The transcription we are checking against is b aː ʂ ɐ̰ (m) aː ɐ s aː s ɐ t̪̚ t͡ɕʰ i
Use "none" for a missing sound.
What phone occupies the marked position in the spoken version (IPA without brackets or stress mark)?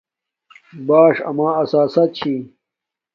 m